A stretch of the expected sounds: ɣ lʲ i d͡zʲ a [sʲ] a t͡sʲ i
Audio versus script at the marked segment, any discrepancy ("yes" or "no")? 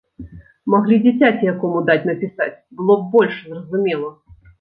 yes